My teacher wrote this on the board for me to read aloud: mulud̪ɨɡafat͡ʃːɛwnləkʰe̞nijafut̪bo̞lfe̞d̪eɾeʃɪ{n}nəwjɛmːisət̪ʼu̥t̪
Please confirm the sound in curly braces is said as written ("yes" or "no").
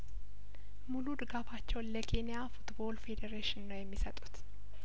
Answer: yes